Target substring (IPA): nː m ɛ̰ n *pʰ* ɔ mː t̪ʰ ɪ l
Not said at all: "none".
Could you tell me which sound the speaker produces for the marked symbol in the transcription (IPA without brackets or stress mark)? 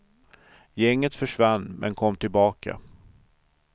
kʰ